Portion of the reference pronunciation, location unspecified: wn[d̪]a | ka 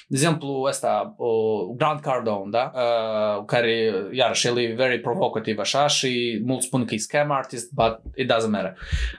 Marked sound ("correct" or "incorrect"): correct